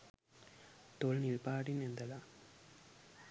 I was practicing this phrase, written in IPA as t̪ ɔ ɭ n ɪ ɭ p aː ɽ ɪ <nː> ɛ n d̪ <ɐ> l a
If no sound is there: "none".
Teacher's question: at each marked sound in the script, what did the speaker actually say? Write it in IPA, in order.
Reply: n, ɐ

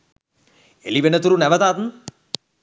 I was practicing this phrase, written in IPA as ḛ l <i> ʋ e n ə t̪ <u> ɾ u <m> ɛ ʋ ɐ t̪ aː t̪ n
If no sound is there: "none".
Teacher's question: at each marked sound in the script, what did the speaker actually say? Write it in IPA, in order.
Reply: i, u, n

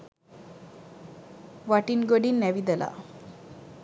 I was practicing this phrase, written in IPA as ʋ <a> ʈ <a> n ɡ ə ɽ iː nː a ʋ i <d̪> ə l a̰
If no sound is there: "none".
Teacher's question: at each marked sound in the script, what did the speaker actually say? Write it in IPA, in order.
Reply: a, i, d̪

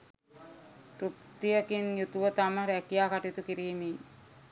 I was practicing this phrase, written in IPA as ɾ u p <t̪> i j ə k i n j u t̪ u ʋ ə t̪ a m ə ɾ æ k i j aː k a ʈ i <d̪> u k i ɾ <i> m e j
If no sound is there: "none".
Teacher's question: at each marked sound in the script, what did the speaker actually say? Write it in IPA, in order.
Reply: t̪, t̪, iː

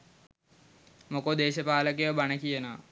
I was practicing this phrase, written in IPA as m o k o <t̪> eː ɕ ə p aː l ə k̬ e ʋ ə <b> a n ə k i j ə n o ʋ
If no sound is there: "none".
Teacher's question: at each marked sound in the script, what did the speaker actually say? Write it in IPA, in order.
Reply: d̪, b

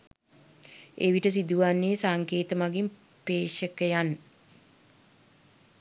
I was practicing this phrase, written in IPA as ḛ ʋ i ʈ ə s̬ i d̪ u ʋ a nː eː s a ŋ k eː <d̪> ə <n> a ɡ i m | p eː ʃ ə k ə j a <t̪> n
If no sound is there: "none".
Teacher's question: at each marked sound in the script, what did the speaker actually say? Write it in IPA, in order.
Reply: t̪, m, none

